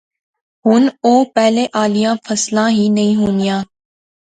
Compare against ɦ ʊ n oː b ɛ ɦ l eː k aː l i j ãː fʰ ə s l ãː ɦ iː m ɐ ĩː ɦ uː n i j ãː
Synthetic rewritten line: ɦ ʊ n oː p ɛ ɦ l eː ʔ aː l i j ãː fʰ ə s l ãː ɦ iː n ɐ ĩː ɦ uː n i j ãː